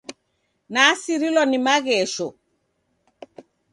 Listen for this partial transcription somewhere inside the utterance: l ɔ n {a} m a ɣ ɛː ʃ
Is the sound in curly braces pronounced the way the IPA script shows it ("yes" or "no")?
no